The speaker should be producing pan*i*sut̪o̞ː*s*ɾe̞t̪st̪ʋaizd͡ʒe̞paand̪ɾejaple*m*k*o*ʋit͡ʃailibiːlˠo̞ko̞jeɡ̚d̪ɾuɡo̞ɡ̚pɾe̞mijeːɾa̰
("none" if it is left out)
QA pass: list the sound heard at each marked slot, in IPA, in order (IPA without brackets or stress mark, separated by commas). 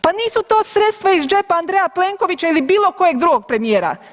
iː, s, ŋ, o